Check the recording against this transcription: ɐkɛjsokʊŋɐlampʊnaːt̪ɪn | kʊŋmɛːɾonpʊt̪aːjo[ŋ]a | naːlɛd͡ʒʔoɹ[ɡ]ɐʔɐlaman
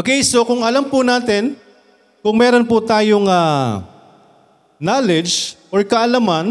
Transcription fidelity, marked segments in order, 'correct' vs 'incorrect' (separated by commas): correct, incorrect